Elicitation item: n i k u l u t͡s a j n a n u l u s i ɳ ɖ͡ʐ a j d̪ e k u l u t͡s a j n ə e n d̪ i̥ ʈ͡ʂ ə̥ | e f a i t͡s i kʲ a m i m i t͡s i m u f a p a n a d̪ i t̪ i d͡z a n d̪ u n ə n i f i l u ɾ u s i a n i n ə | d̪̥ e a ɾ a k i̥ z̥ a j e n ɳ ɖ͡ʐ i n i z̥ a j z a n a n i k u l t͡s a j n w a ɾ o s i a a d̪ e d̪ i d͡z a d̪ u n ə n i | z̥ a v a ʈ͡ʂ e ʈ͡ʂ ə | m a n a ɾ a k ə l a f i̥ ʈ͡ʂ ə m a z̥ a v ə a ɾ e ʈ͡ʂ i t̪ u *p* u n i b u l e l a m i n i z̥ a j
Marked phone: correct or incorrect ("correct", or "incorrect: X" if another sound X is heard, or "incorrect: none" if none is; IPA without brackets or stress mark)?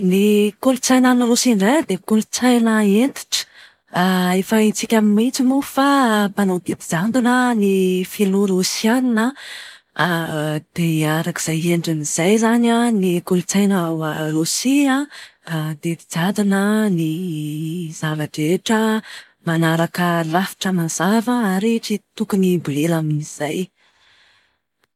incorrect: k